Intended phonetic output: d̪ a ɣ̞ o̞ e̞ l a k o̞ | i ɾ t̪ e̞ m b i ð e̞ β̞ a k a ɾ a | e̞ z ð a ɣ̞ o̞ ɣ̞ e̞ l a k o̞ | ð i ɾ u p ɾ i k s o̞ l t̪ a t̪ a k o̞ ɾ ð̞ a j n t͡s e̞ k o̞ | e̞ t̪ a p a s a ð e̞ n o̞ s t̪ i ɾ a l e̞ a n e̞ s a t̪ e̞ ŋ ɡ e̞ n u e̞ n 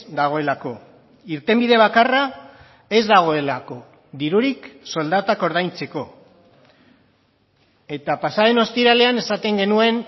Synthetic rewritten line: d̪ a ɣ̞ o̞ e̞ l a k o̞ | i ɾ t̪ e̞ m b i ð e̞ β̞ a k a r a | e̞ z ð a ɣ̞ o̞ e̞ l a k o̞ | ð i ɾ u ɾ i k s o̞ l d̪ a t̪ a k o̞ ɾ ð̞ a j n t͡s e̞ k o̞ | e̞ t̪ a p a s a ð e̞ n o̞ s t̪ i ɾ a l e̞ a n e̞ s a t̪ e̞ ŋ ɡ e̞ n u e̞ n